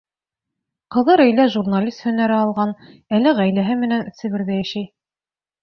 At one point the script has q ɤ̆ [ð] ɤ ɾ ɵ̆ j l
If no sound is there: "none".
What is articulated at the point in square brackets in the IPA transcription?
ð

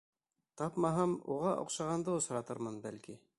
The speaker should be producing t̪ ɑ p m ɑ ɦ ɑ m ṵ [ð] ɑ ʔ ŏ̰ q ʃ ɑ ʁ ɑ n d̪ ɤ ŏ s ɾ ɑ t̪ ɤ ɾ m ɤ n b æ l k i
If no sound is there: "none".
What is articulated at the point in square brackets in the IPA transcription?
ʁ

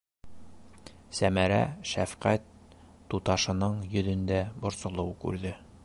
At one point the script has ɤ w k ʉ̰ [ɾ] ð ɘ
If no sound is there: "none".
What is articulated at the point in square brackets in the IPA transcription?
ɾ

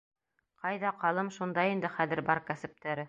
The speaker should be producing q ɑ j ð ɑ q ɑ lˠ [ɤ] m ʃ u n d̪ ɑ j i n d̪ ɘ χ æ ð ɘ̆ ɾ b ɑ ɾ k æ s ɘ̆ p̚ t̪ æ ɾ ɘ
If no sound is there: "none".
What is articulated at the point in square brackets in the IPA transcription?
ɤ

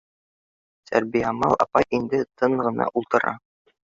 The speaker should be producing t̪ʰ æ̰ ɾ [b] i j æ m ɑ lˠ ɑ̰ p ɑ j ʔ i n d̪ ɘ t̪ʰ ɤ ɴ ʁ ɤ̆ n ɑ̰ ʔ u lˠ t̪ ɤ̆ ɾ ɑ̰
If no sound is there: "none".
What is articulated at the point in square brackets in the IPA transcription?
b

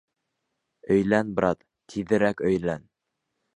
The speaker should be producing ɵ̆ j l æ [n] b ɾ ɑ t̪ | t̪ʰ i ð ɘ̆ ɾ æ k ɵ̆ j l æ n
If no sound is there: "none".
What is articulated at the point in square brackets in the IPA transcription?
n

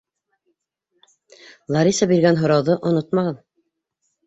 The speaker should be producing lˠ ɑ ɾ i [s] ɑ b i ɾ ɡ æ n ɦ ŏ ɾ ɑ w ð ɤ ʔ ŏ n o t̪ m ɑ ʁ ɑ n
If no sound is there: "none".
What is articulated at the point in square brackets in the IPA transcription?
s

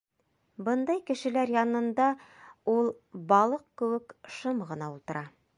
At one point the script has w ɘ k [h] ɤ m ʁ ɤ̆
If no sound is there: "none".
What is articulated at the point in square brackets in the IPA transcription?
ʃ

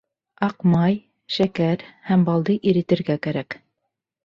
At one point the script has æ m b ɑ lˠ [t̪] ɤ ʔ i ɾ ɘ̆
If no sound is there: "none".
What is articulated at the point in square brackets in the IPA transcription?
d̪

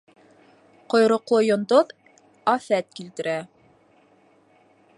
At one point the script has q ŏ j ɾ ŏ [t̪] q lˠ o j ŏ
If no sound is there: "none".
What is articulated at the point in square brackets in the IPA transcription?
none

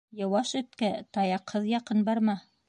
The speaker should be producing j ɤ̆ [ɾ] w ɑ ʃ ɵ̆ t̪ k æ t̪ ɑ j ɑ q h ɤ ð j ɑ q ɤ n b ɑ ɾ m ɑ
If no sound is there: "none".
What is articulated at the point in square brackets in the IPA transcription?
none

